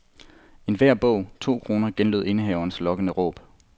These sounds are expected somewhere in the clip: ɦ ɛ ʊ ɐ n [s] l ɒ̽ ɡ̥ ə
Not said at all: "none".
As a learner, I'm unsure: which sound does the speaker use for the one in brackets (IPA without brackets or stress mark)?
s